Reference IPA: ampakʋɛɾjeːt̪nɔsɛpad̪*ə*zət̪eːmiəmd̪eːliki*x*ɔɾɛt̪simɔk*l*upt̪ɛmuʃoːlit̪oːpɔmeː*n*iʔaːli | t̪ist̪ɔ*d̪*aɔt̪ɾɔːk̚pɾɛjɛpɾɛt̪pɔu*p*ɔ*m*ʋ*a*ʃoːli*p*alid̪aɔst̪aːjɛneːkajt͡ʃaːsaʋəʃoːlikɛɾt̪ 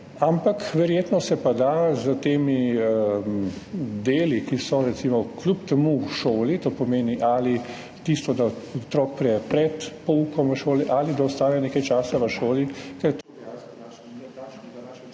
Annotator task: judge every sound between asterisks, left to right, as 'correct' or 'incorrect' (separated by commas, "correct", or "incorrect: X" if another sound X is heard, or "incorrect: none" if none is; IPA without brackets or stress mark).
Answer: incorrect: a, incorrect: s, correct, correct, correct, incorrect: k, correct, incorrect: ə, incorrect: ʔ